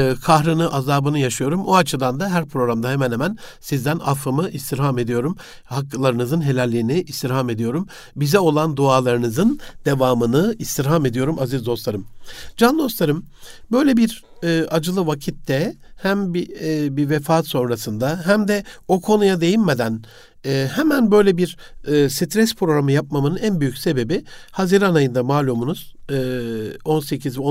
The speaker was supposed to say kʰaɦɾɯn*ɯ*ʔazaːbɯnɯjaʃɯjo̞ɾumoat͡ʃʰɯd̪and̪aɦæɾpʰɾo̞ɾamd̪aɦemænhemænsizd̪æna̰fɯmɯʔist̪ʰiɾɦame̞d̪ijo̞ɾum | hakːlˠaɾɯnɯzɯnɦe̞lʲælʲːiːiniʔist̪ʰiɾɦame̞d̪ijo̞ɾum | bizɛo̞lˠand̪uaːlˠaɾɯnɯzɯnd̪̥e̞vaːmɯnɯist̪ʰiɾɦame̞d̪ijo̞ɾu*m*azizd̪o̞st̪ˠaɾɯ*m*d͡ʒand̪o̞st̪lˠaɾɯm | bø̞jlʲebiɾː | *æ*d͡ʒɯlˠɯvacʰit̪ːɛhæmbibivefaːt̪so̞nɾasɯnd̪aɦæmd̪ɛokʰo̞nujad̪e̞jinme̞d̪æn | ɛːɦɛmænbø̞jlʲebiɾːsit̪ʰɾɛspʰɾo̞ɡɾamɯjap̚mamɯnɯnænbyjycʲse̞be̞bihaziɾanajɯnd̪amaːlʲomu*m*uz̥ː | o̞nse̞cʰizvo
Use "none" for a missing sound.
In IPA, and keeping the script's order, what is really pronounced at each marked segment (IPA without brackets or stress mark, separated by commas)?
ɯ, m, m, a, n